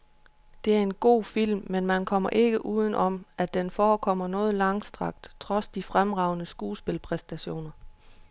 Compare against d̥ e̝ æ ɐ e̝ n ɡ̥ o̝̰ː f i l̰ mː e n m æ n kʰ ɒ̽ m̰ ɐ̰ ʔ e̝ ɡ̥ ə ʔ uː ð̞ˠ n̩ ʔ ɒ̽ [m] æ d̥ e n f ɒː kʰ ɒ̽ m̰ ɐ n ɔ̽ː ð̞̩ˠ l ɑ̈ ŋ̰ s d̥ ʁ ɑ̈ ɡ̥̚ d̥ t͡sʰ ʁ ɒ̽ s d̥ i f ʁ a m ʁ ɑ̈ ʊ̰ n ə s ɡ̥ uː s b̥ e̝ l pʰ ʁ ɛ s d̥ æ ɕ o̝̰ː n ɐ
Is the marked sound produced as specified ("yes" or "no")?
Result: yes